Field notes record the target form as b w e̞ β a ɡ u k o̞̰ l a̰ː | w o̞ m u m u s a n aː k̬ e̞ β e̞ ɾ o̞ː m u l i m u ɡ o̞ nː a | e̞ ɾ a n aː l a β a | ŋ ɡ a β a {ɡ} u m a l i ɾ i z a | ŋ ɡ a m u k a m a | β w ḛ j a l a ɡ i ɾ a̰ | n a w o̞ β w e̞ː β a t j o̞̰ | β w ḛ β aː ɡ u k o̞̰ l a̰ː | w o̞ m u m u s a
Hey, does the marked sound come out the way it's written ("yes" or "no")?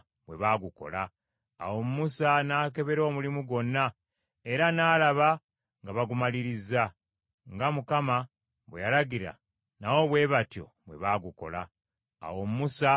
yes